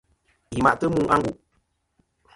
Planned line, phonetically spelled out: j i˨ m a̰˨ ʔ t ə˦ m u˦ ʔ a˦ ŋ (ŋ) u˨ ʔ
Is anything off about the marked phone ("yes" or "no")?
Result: yes